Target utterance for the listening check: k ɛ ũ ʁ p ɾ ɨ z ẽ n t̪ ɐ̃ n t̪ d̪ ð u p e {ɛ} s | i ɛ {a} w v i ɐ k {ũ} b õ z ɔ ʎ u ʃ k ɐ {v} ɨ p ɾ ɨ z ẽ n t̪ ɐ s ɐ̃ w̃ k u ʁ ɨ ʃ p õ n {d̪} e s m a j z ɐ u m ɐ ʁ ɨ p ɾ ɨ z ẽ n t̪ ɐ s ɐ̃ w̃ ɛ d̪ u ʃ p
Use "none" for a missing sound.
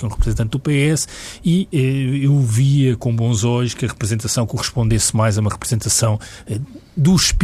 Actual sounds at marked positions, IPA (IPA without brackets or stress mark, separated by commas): ɛ, e, õ, ʁ, d̪